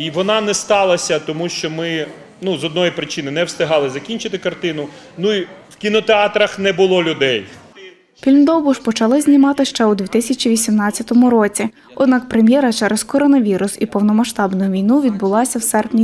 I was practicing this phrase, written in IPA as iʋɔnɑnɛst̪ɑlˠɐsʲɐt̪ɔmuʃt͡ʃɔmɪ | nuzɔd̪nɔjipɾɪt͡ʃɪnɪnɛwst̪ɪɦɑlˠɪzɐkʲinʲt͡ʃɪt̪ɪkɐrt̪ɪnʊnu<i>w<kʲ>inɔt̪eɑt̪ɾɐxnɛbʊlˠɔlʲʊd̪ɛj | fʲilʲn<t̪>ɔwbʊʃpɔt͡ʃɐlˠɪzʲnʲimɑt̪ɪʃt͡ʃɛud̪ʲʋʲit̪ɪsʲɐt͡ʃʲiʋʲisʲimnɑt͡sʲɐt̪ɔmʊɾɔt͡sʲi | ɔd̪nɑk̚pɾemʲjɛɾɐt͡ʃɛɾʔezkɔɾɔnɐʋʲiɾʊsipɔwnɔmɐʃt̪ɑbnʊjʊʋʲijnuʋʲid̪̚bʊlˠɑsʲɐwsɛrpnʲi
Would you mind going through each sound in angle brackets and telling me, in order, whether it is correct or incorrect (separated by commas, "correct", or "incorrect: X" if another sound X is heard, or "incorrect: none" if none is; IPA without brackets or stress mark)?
correct, correct, incorrect: d̪